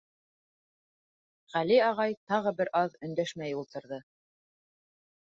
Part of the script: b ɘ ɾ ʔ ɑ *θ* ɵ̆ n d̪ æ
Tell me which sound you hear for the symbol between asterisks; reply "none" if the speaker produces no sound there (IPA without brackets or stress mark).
ð